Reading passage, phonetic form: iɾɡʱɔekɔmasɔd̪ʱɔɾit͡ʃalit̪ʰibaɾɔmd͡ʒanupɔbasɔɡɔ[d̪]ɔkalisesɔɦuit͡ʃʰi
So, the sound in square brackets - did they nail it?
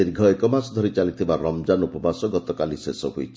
no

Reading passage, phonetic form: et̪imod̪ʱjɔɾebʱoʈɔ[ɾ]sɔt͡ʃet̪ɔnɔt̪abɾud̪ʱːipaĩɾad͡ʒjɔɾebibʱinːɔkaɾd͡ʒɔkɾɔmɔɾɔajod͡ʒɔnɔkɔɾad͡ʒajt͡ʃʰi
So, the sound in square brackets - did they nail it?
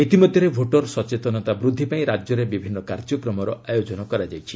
yes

